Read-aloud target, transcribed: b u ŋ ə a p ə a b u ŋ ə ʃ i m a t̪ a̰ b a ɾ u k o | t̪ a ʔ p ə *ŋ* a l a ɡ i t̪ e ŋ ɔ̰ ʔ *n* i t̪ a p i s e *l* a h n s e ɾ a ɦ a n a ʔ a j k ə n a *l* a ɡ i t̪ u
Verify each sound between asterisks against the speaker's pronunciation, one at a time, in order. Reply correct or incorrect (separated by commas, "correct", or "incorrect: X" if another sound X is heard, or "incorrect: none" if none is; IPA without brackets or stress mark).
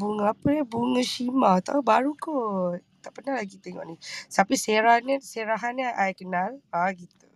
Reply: incorrect: n, correct, incorrect: ɾ, correct